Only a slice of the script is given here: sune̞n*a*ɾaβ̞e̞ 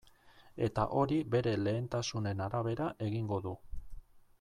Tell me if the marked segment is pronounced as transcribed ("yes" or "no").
yes